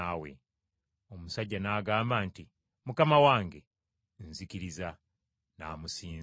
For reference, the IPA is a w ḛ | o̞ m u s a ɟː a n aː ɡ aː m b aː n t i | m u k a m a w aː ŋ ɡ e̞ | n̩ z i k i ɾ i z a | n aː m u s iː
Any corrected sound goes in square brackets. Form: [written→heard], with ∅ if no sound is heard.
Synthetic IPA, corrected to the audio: a w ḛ | o̞ m u s a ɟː a n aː ɡ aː m b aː n t i | m u k a m a w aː ŋ ɡ e̞ | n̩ z i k i ɾ i z a | n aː m u s iː